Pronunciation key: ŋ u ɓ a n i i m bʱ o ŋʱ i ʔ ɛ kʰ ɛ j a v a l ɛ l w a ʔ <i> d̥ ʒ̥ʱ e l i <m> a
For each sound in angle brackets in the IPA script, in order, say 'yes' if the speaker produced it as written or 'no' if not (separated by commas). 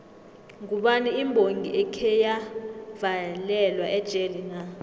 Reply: no, no